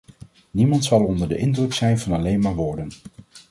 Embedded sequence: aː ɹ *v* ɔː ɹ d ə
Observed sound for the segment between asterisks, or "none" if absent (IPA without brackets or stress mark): ʋ